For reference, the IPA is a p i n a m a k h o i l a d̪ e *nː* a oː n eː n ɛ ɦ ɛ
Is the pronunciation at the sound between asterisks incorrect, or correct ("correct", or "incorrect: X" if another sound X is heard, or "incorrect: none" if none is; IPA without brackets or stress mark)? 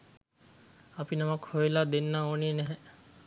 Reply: correct